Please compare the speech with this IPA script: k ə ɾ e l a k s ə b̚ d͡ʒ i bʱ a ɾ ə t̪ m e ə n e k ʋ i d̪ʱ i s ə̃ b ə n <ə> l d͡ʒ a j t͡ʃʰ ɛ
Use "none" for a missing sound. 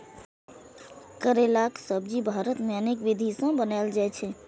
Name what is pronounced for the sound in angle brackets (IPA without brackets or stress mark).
a